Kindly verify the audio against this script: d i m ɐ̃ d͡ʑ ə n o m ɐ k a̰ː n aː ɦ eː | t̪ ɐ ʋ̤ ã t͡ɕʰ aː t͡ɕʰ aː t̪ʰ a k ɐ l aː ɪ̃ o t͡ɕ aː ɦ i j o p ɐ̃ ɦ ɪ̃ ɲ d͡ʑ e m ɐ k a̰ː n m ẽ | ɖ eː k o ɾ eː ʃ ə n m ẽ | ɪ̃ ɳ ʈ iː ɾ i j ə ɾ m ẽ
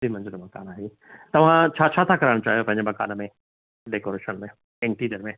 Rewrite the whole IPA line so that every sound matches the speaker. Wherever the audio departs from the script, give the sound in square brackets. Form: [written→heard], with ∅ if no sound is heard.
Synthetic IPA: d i m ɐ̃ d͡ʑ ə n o m ɐ k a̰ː n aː ɦ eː | t̪ ɐ ʋ̤ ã t͡ɕʰ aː t͡ɕʰ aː t̪ʰ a k ɐ [l→ɾ] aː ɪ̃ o t͡ɕ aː ɦ i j o p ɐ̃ ɦ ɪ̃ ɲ d͡ʑ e m ɐ k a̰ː n m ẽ | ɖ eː k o ɾ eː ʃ ə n m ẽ | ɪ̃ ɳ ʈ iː ɾ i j ə ɾ m ẽ